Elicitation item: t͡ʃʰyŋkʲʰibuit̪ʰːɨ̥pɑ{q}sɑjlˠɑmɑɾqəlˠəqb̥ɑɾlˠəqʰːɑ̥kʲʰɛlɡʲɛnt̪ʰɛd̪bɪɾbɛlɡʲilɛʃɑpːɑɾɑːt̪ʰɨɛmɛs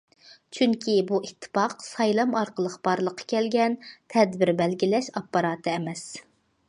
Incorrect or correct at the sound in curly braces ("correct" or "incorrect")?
correct